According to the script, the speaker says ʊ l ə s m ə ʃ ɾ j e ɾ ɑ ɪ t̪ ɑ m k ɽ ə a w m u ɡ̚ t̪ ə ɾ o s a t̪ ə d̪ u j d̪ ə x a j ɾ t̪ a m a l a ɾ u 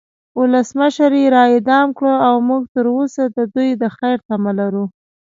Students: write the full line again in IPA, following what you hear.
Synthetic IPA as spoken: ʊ l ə s m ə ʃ ɾ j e ɾ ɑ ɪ d̪ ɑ m k ɽ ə a w m u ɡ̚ t̪ ə ɾ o s a d̪ ə d̪ u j d̪ ə x a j ɾ t̪ a m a l a ɾ u